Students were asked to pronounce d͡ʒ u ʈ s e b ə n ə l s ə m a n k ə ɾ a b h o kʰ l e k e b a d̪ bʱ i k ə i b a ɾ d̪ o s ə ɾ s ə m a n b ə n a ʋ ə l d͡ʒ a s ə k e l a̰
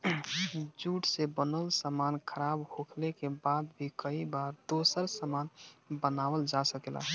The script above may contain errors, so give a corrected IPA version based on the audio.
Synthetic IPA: d͡ʒ u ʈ s e b ə n ə l s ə m a n kʰ ə ɾ a b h o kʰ l e k e b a d̪ bʱ i k ə i b a ɾ d̪ o s ə ɾ s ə m a n b ə n a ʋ ə l d͡ʒ a s ə k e l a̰